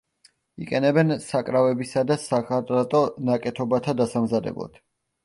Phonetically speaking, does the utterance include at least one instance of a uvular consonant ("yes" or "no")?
yes